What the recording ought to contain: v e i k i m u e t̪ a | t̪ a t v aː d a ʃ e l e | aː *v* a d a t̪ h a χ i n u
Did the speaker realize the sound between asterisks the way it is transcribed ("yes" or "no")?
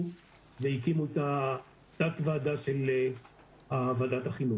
yes